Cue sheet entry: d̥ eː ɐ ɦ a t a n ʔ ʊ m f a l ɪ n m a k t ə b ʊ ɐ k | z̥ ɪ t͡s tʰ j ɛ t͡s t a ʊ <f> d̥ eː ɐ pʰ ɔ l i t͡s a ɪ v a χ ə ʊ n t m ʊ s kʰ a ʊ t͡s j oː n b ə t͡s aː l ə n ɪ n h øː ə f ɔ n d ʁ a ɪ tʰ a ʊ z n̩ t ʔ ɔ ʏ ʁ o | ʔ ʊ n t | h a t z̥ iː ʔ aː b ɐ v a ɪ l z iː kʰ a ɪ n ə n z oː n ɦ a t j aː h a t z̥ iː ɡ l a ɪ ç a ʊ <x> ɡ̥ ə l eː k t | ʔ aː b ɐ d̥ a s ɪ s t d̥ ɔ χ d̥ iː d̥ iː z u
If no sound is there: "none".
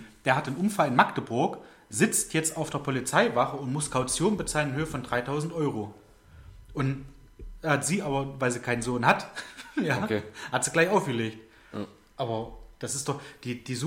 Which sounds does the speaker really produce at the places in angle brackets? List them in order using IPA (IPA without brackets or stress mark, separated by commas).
f, f